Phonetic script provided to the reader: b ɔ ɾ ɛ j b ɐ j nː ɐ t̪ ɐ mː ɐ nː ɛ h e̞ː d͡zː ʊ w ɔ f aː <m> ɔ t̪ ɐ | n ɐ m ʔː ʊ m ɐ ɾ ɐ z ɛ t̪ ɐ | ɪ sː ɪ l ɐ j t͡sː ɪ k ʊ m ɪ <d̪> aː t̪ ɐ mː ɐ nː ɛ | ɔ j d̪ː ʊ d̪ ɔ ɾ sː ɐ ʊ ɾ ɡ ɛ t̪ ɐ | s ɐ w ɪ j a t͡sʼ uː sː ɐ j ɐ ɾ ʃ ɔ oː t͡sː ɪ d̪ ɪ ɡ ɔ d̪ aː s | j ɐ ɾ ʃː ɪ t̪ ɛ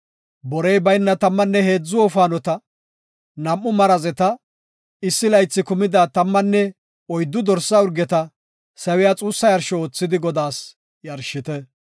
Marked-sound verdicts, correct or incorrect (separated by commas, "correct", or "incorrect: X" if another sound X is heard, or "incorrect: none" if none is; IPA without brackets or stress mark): incorrect: n, correct